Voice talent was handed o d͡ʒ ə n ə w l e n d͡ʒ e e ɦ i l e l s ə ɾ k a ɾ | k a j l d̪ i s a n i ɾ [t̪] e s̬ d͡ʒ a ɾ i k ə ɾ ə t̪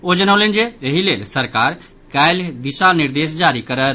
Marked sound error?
yes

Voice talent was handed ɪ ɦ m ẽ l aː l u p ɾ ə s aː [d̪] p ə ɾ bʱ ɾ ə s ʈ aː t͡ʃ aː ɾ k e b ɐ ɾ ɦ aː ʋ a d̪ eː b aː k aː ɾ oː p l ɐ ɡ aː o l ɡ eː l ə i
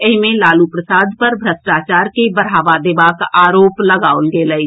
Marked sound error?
no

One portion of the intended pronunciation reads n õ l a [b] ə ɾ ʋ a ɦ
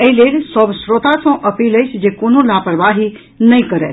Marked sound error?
yes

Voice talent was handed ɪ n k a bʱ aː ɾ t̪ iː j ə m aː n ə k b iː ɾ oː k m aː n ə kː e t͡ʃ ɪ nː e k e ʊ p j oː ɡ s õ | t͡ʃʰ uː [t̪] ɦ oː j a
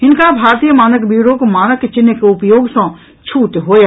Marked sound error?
no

